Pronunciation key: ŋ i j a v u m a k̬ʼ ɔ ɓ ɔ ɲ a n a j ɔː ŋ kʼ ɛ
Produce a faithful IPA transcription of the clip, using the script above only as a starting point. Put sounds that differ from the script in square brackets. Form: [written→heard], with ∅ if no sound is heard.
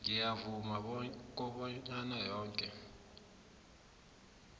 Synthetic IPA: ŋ i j a v u m a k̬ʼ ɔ ɓ ɔ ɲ a n a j ɔː ŋ kʼ ɛ